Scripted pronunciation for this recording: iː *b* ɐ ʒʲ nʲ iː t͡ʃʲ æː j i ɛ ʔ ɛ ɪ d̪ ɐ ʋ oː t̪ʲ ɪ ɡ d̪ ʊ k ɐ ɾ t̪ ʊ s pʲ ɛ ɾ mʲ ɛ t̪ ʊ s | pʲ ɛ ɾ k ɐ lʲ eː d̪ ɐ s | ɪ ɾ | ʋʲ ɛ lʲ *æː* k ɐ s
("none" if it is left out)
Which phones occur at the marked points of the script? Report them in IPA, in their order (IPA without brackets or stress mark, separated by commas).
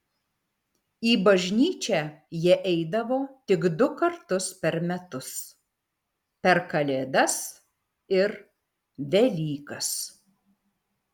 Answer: b, iː